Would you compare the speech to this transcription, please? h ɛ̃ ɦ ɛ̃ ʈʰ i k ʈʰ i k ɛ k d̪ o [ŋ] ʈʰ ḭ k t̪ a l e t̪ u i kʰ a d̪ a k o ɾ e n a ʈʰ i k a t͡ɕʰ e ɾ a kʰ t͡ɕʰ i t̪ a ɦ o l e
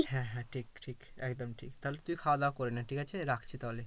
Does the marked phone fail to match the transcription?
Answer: yes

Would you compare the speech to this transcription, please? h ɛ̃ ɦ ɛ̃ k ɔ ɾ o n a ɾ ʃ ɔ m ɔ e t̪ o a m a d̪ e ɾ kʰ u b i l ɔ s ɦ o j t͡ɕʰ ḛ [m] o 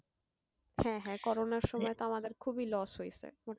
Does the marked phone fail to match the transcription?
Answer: no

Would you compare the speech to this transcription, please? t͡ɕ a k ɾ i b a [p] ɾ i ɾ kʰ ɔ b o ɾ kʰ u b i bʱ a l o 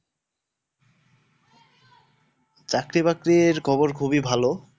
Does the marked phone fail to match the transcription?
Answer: yes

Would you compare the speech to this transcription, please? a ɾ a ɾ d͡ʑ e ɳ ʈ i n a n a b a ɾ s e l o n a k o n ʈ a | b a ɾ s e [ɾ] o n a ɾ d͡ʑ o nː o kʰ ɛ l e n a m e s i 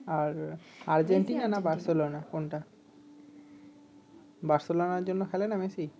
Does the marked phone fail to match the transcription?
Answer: yes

